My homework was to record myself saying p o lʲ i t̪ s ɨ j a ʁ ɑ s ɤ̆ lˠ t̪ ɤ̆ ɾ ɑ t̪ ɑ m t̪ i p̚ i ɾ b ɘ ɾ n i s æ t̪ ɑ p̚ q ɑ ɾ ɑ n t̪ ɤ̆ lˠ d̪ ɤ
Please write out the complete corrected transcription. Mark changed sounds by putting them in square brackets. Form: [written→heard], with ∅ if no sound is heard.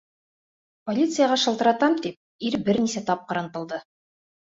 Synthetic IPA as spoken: p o lʲ i t̪ s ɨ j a ʁ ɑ [s→ʃ] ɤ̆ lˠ t̪ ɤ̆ ɾ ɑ t̪ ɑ m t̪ i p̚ i ɾ b ɘ ɾ n i s æ t̪ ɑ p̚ q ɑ ɾ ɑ n t̪ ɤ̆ lˠ d̪ ɤ